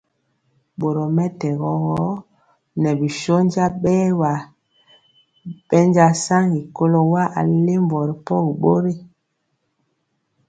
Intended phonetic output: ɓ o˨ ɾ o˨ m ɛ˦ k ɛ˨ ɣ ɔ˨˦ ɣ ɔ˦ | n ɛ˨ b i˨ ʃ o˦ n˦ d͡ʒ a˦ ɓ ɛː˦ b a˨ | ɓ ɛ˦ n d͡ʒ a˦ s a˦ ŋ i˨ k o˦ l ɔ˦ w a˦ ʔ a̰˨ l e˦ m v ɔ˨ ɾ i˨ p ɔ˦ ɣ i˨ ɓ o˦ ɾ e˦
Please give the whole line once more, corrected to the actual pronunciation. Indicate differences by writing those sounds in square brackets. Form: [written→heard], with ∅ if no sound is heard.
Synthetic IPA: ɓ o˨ ɾ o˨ m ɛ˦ [k→t] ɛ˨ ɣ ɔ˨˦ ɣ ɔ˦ | n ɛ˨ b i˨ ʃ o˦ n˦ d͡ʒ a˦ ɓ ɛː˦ [b→w] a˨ | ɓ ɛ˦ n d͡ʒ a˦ s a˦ ŋ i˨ k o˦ l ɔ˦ w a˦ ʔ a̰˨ l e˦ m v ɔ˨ ɾ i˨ p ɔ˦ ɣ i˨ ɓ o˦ ɾ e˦